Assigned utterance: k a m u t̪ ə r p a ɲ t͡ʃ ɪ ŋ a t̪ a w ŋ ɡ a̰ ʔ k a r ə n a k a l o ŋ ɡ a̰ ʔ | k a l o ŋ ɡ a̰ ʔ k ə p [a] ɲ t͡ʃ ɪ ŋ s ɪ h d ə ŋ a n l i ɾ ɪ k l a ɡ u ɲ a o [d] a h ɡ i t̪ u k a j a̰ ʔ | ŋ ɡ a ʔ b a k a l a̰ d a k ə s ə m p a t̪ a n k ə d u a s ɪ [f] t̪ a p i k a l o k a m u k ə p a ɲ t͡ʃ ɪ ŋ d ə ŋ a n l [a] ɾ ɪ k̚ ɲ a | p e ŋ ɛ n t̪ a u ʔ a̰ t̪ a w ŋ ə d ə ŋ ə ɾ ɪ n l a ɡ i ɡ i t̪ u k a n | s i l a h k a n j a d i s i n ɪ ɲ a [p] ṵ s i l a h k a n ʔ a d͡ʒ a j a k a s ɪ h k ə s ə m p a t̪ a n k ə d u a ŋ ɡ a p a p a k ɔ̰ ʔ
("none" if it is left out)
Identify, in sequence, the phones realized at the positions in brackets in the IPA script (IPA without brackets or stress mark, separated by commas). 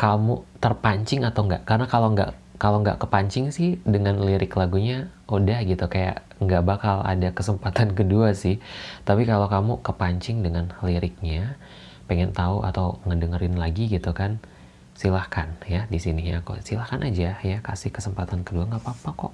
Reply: a, d, h, i, k